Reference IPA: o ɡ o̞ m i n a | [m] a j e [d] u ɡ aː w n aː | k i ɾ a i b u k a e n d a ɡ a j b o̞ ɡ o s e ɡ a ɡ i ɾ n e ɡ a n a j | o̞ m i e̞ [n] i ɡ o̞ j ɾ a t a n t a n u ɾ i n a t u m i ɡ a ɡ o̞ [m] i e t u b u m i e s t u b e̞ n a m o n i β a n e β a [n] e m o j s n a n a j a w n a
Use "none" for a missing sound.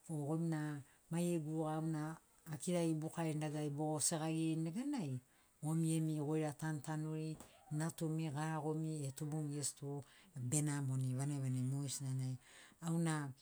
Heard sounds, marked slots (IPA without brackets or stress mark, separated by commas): m, ɡ, m, m, n